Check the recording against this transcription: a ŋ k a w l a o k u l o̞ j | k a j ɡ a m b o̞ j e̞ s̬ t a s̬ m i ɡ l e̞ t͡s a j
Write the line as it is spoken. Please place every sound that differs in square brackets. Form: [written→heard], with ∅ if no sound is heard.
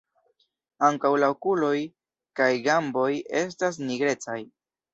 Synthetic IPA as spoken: a ŋ k a w l a o k u l o̞ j | k a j ɡ a m b o̞ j e̞ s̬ t a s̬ [m→n] i ɡ [l→ɾ] e̞ t͡s a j